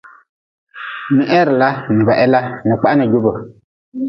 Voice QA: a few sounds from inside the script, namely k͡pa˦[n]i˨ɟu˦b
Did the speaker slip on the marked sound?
no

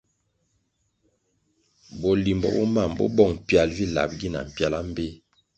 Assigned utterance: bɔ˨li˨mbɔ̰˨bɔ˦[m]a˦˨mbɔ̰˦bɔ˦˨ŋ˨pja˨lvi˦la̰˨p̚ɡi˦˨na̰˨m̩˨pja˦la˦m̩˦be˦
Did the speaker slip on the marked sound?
no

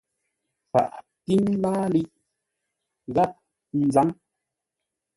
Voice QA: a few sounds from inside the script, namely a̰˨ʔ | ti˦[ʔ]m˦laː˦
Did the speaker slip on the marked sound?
yes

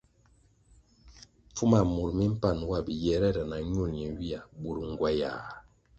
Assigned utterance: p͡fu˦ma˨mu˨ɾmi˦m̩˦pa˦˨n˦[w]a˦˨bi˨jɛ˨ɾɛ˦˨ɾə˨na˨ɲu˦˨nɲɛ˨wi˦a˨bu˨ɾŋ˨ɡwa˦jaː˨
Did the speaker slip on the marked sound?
no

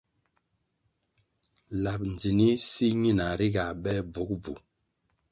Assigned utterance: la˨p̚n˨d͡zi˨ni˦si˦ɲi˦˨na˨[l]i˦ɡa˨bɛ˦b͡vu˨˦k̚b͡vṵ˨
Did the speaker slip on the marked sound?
yes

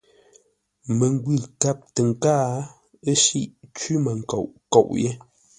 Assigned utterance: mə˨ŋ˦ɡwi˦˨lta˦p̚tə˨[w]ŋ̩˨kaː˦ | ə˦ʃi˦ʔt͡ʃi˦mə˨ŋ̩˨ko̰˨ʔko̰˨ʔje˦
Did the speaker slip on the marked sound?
yes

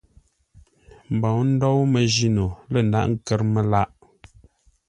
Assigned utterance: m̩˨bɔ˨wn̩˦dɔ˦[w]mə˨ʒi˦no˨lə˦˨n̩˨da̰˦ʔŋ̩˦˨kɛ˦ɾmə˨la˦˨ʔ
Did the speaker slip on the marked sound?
no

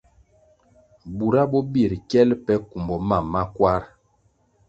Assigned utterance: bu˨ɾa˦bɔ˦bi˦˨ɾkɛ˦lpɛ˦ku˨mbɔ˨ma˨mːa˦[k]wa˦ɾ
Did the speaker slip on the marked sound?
no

